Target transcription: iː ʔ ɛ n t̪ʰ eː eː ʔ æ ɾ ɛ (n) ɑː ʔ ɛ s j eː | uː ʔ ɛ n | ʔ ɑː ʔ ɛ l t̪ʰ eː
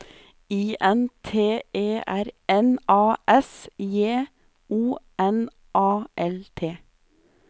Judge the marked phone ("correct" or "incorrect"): correct